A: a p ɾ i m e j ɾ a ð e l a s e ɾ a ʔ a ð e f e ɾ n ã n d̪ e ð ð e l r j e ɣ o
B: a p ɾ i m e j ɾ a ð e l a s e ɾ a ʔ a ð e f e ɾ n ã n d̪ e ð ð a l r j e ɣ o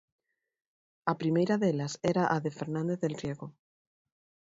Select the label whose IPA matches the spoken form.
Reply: A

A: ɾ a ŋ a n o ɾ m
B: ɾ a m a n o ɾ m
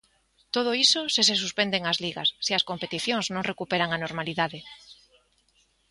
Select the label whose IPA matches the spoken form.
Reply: A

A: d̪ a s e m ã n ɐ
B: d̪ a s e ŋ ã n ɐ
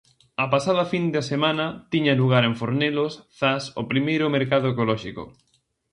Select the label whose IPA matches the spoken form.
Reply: A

